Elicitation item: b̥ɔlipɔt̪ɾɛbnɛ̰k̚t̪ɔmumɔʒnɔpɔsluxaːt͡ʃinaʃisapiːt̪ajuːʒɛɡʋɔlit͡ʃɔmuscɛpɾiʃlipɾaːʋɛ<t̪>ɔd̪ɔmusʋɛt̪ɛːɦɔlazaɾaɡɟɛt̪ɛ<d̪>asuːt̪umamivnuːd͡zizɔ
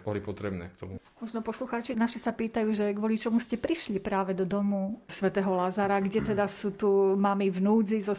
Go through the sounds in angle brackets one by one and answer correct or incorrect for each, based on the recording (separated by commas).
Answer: incorrect, correct